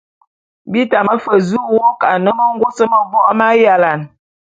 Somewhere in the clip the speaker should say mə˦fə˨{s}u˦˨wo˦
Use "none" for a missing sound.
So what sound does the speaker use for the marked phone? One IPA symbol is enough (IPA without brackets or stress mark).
z